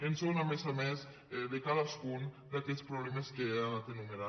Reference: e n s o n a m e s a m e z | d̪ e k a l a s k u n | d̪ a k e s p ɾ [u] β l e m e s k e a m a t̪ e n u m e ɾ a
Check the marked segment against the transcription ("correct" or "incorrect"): incorrect